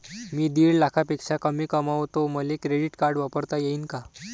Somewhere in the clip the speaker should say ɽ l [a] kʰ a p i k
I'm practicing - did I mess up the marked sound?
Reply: no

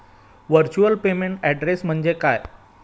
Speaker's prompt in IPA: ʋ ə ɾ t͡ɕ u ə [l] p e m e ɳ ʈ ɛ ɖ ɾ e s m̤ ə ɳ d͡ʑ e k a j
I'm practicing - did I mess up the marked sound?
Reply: no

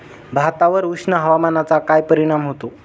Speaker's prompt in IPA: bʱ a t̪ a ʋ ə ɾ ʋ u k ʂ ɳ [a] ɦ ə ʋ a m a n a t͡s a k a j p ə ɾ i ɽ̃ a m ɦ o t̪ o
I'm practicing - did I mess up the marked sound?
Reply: yes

